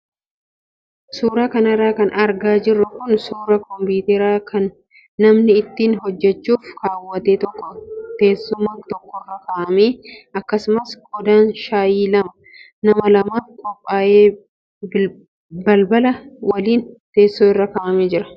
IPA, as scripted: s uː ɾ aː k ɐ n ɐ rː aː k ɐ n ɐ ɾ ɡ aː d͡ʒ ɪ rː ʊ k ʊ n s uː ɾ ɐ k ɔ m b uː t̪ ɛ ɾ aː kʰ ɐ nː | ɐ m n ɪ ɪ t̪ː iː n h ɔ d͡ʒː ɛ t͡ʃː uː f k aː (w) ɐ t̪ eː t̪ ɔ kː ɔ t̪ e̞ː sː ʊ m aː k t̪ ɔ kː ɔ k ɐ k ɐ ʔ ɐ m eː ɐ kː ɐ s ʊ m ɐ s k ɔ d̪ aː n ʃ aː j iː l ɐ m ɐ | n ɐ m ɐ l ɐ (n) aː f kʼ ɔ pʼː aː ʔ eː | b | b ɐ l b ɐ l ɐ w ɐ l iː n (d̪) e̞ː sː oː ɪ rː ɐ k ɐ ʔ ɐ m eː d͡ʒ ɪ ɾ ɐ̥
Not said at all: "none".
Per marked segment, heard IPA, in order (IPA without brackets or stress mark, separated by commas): wː, m, t̪